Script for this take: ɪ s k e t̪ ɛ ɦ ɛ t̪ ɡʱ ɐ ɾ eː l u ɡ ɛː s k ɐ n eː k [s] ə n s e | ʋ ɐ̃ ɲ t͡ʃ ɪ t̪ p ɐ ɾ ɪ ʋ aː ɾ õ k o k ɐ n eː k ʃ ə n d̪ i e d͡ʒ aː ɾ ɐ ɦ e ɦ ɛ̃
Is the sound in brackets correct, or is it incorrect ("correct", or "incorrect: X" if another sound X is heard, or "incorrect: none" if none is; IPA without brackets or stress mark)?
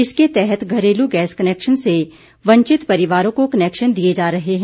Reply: incorrect: ʃ